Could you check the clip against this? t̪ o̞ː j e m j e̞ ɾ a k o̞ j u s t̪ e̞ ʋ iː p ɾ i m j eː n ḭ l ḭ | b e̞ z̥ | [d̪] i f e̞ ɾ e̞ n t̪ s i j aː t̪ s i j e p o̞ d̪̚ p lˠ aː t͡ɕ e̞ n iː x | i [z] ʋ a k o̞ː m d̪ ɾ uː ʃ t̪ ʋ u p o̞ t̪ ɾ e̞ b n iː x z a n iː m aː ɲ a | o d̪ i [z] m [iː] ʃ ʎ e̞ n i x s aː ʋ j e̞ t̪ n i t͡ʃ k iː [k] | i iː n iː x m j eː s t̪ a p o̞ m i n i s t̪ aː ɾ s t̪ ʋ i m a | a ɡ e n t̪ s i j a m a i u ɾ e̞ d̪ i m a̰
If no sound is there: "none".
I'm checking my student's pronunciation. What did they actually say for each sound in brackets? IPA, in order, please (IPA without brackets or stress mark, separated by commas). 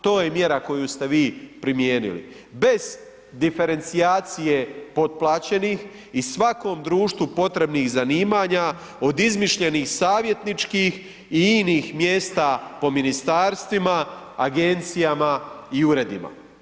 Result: d̪, s, z, i, x